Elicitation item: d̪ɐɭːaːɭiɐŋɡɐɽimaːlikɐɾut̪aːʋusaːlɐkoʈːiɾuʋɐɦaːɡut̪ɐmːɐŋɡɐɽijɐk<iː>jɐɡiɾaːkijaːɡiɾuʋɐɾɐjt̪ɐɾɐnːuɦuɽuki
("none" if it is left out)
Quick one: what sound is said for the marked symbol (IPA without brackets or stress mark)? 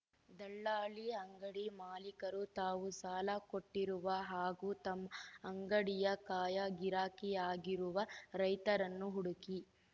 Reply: aː